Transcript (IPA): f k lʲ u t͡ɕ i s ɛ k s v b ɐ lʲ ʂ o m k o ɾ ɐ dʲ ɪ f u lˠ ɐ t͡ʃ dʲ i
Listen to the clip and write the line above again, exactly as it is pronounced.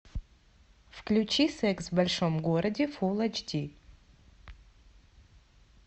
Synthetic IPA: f k lʲ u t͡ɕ i s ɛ k s v b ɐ lʲ ʂ o m ɡ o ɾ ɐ dʲ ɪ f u lˠ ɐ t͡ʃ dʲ i